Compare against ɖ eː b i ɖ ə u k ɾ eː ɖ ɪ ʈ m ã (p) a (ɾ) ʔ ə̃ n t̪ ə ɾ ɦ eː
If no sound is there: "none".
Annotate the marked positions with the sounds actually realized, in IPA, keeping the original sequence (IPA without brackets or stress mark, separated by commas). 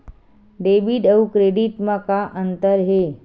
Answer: k, none